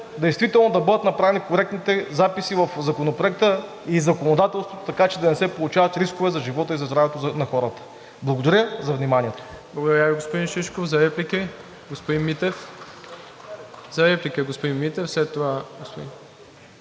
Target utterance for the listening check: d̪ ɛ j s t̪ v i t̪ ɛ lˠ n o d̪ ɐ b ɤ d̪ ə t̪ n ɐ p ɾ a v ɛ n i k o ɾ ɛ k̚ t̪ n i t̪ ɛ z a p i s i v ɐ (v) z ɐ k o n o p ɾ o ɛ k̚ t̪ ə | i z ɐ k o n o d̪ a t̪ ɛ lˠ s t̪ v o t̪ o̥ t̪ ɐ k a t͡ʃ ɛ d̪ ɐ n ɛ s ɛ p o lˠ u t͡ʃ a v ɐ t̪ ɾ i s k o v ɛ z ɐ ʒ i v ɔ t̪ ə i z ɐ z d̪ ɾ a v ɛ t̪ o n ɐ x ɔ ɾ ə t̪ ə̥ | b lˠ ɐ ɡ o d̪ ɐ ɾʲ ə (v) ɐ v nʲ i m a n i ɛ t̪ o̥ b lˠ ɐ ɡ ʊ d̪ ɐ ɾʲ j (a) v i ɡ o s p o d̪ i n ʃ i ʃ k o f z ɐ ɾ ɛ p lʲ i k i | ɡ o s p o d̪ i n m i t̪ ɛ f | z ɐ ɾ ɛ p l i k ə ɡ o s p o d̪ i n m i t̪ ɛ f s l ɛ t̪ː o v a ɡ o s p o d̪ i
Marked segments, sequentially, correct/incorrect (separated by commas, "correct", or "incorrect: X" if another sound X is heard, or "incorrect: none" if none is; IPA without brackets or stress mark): incorrect: f, incorrect: z, correct